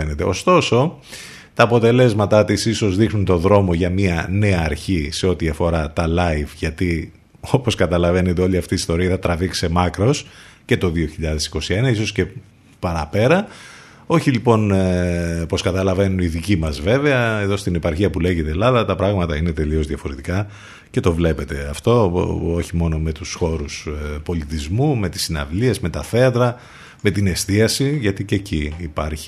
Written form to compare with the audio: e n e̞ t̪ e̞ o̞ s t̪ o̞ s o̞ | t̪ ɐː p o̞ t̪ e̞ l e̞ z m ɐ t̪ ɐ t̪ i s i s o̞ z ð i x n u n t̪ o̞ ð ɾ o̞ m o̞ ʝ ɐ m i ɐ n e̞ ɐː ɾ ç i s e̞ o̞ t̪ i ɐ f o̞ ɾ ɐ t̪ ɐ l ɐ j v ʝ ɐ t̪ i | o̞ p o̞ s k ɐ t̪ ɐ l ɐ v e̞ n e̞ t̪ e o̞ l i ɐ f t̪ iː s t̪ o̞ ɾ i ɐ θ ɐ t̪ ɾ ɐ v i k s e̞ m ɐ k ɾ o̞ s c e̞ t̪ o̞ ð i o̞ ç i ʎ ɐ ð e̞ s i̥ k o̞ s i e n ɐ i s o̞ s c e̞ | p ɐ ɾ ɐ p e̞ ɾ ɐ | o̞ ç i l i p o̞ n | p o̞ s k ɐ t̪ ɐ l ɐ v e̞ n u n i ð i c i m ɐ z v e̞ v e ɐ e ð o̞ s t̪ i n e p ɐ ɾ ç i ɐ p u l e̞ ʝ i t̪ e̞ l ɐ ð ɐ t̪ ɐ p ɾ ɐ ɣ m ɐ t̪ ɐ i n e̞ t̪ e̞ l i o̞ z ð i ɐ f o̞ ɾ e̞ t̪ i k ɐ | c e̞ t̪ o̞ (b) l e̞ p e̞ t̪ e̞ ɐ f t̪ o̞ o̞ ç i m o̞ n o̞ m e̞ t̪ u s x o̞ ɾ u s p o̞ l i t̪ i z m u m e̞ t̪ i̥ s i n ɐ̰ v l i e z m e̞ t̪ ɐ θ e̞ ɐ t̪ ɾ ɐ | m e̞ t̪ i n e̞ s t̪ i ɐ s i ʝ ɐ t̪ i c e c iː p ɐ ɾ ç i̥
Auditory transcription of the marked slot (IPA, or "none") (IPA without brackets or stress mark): v